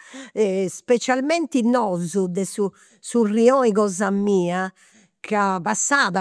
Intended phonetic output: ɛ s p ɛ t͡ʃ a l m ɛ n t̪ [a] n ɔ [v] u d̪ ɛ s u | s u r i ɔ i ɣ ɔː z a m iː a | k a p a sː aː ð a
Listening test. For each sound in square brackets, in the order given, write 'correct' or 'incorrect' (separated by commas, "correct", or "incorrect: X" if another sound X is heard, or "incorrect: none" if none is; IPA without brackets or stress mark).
incorrect: i, incorrect: z